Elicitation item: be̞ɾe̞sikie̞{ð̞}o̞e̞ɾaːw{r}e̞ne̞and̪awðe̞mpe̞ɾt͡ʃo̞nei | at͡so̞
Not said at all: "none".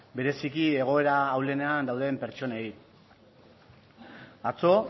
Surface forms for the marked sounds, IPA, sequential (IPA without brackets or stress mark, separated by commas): ɣ̞, l